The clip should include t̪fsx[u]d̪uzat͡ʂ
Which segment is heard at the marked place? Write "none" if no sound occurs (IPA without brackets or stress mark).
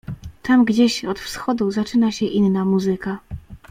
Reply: ɔ